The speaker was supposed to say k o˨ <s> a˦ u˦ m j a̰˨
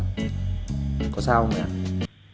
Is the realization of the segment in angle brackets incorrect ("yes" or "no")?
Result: no